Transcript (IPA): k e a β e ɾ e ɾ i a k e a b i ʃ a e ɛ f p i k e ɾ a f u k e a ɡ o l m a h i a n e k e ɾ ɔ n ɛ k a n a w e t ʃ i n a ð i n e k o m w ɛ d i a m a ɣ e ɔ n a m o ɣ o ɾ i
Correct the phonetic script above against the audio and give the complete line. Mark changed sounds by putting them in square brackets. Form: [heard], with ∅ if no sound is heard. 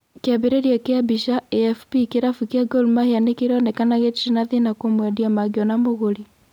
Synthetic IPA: k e a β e ɾ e ɾ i a k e a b i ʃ a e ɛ f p i k e ɾ a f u k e a ɡ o l m a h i a n e k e ɾ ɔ n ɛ k a n a [ɣ] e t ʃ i n a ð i n [a] k o m w ɛ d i a m a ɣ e ɔ n a m o ɣ o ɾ i